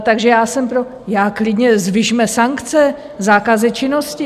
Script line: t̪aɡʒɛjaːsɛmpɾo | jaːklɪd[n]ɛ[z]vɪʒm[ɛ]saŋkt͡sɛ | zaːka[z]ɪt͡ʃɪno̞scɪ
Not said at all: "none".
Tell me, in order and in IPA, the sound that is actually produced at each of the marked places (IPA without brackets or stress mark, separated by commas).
ɲ, z, ɛ, z